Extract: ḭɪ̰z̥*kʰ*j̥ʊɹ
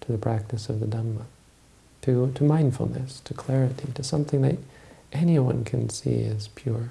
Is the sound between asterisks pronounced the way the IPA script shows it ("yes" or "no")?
no